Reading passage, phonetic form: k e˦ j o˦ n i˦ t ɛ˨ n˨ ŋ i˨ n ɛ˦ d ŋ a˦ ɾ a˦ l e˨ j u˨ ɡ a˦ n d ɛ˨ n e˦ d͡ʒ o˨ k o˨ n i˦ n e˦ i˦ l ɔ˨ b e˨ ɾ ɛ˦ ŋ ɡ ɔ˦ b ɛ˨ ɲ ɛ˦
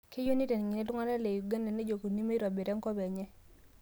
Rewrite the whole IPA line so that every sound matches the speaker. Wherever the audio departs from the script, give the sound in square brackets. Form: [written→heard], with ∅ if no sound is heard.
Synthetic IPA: k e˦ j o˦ n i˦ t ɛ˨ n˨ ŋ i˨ n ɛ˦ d ŋ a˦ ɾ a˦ l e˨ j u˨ ɡ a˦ n d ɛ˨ n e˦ d͡ʒ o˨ k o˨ n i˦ [n→m] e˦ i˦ [l→ɾ] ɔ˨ b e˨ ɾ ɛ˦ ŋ [ɡ→k] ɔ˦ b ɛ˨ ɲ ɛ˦